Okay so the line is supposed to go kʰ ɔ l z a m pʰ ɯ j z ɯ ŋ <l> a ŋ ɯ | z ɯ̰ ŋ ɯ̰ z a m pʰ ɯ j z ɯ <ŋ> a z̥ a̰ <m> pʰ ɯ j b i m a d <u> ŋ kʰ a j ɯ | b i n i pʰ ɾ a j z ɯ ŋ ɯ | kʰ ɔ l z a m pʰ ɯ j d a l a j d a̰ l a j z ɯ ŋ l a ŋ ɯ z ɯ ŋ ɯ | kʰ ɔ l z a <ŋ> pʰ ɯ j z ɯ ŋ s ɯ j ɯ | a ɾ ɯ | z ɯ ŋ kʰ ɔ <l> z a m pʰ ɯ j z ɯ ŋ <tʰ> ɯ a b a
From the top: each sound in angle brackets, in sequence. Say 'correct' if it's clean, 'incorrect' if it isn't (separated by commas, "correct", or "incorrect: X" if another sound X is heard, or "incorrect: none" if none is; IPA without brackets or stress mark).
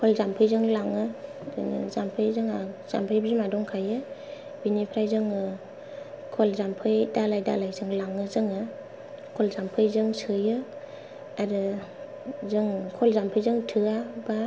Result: correct, correct, correct, incorrect: ɔ, incorrect: m, correct, correct